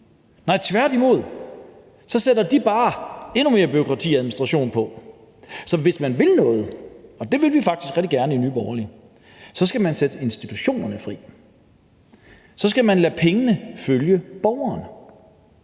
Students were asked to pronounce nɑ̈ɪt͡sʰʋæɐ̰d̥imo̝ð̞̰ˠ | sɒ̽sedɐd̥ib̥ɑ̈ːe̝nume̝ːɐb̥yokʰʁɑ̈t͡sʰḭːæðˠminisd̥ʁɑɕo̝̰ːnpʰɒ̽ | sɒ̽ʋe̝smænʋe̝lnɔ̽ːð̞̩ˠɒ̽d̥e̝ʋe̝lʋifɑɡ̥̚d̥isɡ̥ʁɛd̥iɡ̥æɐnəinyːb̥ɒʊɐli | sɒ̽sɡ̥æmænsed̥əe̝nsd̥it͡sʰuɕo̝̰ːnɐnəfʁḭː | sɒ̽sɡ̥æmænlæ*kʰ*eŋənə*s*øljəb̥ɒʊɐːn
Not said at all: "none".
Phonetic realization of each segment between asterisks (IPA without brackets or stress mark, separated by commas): pʰ, f